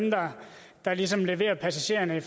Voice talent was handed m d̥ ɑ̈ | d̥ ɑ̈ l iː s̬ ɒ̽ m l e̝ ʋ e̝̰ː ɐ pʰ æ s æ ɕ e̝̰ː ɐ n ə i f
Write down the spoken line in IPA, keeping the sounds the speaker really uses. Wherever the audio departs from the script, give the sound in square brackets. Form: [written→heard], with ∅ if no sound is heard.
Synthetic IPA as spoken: m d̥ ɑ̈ | d̥ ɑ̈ l [iː→i] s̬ ɒ̽ m l e̝ ʋ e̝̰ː ɐ pʰ æ s æ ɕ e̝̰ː ɐ n ə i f